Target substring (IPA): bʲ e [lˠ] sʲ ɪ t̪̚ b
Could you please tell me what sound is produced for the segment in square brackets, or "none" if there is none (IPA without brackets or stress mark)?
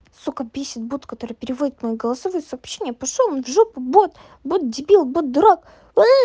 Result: none